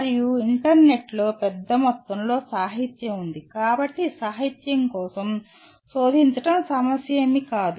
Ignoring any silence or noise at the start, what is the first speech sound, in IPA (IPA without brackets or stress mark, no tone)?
ɾ